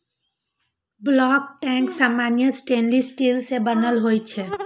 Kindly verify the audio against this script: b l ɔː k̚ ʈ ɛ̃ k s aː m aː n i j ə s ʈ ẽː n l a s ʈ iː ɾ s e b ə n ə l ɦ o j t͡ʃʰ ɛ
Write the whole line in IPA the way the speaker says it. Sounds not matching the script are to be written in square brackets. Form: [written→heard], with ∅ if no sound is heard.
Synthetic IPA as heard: b l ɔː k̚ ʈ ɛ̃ k s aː m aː n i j ə s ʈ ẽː n l [a→i] s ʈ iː [ɾ→l] s e b ə n ə l ɦ o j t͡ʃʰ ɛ